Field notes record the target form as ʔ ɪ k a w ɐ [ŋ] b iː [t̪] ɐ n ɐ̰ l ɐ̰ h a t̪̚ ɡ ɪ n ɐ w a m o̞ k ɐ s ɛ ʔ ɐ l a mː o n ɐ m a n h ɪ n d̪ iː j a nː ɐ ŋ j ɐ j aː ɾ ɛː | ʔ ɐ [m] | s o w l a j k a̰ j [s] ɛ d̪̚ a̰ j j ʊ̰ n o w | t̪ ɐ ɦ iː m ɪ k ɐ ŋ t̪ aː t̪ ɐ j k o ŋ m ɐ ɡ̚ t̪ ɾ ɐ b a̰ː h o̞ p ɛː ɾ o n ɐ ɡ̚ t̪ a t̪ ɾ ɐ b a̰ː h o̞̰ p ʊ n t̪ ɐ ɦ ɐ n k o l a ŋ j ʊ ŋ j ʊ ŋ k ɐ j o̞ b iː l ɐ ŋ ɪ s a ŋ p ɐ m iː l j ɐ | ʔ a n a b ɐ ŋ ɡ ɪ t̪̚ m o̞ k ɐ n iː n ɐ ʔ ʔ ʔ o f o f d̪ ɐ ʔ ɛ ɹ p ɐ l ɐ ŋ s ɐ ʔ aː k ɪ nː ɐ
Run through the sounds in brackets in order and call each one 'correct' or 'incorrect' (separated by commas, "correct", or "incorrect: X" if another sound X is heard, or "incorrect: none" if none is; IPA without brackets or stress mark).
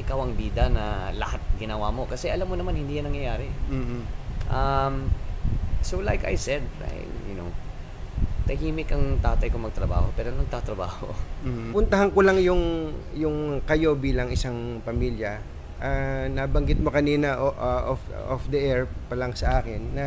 correct, incorrect: d̪, correct, correct